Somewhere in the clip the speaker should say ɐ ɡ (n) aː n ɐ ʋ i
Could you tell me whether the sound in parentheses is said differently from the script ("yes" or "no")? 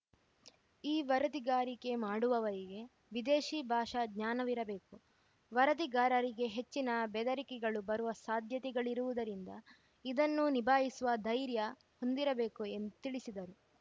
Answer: yes